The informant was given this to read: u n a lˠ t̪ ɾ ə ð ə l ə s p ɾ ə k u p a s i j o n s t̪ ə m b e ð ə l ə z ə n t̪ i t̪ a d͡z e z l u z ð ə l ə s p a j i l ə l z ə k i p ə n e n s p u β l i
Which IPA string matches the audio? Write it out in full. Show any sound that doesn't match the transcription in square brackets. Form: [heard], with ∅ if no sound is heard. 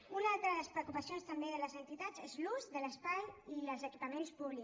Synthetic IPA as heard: u n a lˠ t̪ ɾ ə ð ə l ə s p ɾ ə k u p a s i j o n s t̪ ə m b e ð ə l ə z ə n t̪ i t̪ a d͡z e z l u z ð ə l ə s p a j i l ə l z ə k i p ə [m] e n s p u β l i